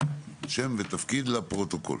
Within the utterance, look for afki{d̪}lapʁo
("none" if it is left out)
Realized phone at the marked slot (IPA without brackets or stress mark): d̪